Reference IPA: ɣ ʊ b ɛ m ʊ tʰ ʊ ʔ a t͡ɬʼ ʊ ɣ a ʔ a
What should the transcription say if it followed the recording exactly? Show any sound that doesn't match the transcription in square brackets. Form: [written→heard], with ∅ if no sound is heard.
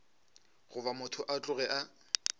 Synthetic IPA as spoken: ɣ ʊ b [ɛ→a] m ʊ tʰ ʊ ʔ a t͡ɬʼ ʊ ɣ [a→ɛ] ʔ a